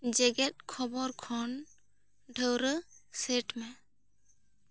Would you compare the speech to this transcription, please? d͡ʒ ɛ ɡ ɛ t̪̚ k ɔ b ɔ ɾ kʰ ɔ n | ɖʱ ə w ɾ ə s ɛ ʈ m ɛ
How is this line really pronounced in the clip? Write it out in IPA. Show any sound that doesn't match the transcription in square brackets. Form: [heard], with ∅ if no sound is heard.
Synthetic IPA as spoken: d͡ʒ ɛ ɡ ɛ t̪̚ [kʰ] ɔ b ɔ ɾ kʰ ɔ n | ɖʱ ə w ɾ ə s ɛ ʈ m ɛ

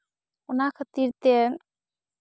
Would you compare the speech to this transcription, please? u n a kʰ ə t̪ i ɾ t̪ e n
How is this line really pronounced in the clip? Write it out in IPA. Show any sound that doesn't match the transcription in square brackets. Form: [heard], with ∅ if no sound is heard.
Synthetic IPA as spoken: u n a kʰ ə t̪ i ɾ t̪ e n

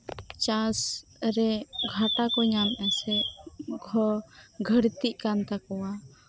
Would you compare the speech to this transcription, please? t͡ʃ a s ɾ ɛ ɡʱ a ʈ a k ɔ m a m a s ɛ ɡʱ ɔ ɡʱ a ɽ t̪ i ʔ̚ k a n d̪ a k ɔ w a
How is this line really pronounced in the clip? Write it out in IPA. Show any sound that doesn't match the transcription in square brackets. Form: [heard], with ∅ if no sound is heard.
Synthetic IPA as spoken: t͡ʃ a s ɾ ɛ ɡʱ a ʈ a k ɔ [ɲ] a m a s ɛ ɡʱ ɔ ɡʱ [ə] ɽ t̪ i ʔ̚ k a n [t̪] a k ɔ w a

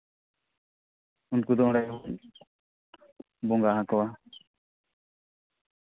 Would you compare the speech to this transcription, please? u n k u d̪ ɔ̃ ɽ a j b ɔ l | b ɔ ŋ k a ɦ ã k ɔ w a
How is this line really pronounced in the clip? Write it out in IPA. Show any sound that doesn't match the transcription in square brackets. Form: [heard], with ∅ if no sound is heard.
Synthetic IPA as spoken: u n k u d̪ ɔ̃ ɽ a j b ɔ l | b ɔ ŋ [ɡ] a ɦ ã k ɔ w a

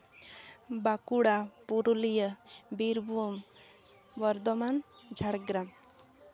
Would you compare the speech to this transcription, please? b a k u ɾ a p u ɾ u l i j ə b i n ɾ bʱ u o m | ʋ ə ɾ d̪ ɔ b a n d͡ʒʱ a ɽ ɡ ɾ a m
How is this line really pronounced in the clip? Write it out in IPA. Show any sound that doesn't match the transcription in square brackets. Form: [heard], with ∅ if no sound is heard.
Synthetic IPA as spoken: b a k u [ɽ] a p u ɾ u l i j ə b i [∅] ɾ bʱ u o m | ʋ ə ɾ d̪ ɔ [m] a n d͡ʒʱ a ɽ ɡ ɾ a m

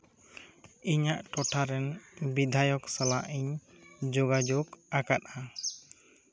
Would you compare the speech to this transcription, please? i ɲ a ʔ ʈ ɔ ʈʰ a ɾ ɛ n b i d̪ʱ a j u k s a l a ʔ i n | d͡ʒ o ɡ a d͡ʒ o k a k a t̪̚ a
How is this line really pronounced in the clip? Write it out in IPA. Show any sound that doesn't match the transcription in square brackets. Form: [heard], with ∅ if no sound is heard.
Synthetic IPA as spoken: i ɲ a ʔ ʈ ɔ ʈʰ a ɾ ɛ n b i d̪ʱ a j [ɔ] k s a l a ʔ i [ɲ] | d͡ʒ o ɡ a d͡ʒ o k a k a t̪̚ a

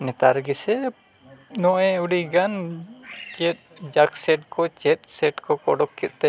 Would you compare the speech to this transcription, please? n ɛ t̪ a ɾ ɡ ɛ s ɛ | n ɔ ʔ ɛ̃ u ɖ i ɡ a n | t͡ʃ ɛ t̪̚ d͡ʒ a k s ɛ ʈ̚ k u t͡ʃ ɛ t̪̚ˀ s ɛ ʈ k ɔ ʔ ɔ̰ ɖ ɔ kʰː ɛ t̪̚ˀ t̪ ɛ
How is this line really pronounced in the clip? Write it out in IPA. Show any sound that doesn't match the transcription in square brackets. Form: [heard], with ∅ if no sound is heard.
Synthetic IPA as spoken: n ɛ t̪ a ɾ ɡ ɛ s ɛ | n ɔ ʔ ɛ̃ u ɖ i ɡ a n | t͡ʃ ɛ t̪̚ d͡ʒ a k s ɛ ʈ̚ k [ɔ] t͡ʃ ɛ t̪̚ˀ s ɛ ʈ k ɔ [k] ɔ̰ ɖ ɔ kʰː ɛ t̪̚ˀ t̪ ɛ

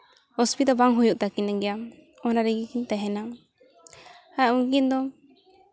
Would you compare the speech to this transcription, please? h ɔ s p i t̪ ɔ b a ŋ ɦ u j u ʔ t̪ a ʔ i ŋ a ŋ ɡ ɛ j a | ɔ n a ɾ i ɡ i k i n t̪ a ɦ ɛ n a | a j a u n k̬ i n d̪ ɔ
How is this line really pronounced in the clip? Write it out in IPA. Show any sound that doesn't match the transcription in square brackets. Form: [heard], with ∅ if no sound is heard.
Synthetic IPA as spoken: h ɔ s p i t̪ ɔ b a ŋ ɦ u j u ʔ t̪ a [k] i [n] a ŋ ɡ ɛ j a | ɔ n a ɾ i ɡ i k i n t̪ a ɦ ɛ n a | a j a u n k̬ i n d̪ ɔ

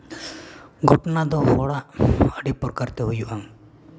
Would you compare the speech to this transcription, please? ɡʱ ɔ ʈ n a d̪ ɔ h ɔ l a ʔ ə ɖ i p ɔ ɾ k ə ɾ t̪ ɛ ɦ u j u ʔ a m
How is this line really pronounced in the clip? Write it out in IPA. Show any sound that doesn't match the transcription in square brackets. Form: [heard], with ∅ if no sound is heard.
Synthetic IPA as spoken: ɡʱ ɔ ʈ n a d̪ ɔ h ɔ [ɽ] a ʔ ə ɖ i p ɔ ɾ k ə ɾ t̪ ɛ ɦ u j u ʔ a [ŋ]

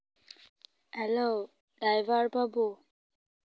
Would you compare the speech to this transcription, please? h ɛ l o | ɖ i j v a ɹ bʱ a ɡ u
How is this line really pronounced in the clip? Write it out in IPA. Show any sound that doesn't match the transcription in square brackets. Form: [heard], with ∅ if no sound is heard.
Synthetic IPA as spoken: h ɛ l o | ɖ [a] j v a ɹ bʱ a [b] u

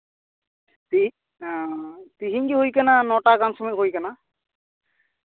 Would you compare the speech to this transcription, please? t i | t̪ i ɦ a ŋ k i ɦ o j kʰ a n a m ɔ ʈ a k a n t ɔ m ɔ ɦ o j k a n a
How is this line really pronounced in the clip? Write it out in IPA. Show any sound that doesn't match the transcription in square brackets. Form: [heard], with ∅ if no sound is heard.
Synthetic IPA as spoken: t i | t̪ i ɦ [i] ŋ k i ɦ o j [k] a n a [n] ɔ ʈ a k a n [s] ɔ m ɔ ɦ o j k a n a

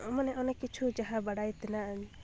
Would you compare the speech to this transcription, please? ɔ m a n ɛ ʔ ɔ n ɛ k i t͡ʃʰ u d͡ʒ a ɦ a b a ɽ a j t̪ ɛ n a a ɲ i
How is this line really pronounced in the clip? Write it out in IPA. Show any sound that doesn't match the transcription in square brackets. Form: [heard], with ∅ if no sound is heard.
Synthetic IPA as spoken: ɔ m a n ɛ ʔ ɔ n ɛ k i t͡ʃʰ u d͡ʒ a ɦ a b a ɽ a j t̪ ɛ n a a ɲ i

